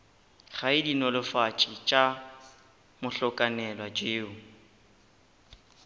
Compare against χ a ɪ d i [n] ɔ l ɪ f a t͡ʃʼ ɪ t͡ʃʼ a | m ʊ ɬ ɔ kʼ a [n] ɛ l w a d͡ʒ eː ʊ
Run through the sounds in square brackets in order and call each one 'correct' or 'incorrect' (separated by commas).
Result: correct, correct